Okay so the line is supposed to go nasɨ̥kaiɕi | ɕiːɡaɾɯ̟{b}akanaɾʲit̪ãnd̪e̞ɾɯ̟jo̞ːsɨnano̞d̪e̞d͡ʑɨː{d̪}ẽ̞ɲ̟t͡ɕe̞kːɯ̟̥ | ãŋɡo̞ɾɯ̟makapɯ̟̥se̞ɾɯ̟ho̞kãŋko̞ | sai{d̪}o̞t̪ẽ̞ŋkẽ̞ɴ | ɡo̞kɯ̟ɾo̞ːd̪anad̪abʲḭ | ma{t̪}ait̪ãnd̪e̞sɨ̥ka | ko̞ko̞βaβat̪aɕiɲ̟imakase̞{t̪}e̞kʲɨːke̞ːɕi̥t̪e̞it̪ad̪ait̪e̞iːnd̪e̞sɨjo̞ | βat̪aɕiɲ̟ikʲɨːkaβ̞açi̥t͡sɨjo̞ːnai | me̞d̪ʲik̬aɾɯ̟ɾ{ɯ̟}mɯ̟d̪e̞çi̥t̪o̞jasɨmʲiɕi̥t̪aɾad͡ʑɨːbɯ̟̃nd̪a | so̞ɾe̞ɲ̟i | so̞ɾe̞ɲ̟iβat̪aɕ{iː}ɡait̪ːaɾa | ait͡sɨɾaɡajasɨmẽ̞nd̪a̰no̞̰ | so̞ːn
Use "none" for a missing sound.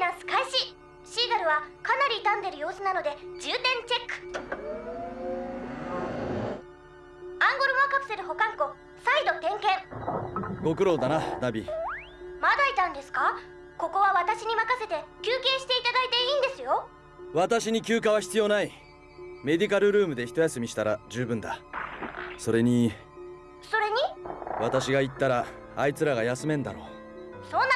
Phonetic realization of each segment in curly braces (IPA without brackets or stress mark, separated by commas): β, t̪, d̪, d̪, t̪, ɯ̟ː, i